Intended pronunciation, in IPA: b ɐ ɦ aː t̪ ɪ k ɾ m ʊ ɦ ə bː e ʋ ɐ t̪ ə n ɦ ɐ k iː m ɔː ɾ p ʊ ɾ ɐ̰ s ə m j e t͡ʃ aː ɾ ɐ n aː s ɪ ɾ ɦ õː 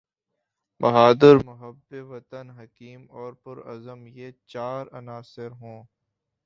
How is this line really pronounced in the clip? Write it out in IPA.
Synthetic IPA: b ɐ ɦ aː d̪ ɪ ɾ m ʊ ɦ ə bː e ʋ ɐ t̪ ə n ɦ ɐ k iː m ɔː ɾ p ʊ ɾ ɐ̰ z ə m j e t͡ʃ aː ɾ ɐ n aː s ɪ ɾ ɦ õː